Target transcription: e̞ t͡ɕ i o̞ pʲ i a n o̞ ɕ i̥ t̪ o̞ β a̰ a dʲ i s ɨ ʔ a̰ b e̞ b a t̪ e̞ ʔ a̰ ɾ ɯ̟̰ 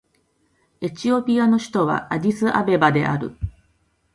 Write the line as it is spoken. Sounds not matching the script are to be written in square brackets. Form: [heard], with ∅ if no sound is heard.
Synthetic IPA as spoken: e̞ t͡ɕ i o̞ pʲ i a n o̞ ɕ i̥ t̪ o̞ β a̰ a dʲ i s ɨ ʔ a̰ b e̞ b a [d̪] e̞ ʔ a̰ ɾ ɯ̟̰